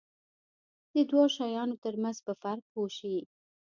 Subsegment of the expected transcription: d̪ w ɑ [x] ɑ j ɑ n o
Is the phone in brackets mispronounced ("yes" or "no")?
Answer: yes